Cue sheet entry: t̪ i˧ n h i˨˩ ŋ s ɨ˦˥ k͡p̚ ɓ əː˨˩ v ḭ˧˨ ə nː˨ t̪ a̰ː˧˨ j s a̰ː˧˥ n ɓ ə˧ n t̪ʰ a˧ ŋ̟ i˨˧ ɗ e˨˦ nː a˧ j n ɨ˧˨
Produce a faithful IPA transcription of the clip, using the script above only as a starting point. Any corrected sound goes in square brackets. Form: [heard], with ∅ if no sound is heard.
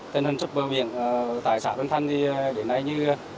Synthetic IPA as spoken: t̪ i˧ n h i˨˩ ŋ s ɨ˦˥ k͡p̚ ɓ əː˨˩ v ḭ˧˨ ə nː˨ t̪ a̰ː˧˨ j s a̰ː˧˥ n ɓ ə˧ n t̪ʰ a˧ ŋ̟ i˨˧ ɗ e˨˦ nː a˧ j [ɲ] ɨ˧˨